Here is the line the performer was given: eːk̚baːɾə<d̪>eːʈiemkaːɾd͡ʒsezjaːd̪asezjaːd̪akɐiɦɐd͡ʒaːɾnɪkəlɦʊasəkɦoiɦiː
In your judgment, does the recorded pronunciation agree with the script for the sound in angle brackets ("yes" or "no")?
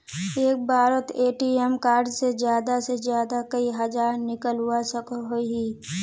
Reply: no